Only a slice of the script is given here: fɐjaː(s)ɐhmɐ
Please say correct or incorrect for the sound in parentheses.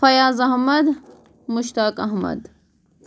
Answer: incorrect